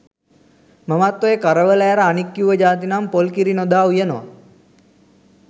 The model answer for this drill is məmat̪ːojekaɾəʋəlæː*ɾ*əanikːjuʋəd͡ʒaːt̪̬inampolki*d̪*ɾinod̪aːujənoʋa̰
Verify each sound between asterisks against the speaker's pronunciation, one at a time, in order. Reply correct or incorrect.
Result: correct, incorrect: none

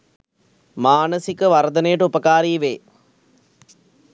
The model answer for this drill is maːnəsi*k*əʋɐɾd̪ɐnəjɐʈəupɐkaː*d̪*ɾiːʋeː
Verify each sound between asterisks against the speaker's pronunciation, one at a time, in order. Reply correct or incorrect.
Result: correct, incorrect: none

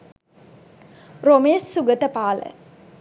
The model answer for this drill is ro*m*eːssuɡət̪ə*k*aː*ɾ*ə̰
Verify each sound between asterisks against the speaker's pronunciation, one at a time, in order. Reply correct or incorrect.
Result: correct, incorrect: p, incorrect: l

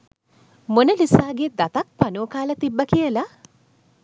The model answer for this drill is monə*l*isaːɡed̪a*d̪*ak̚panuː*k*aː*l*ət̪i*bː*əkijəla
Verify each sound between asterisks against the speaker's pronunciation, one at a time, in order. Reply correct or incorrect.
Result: correct, incorrect: t̪, correct, correct, correct

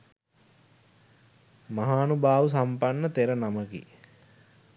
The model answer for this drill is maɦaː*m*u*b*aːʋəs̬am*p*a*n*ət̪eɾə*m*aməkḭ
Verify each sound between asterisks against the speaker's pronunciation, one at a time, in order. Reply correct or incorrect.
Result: incorrect: n, correct, correct, incorrect: nː, incorrect: n

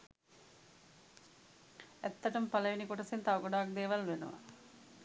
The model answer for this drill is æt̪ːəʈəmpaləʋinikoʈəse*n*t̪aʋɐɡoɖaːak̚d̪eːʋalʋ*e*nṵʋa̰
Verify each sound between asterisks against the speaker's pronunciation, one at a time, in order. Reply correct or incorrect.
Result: correct, correct

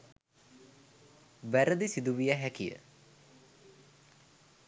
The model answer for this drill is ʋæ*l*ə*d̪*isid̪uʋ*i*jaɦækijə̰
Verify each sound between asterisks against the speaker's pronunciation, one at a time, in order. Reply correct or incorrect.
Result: incorrect: ɾ, correct, correct

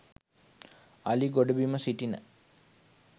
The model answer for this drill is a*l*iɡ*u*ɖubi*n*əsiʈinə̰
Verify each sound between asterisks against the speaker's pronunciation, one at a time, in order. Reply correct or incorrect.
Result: correct, incorrect: o, incorrect: m

